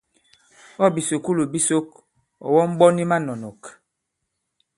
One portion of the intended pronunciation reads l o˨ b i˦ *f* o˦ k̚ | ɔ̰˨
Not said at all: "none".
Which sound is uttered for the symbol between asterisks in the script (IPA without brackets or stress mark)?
s